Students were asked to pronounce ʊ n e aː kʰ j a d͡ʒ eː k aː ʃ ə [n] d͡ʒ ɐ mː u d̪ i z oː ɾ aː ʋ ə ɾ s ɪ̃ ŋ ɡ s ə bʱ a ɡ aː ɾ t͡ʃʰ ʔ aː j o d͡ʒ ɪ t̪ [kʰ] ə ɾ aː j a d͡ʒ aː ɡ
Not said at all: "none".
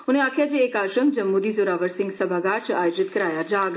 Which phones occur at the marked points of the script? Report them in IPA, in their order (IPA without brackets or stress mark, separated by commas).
m, k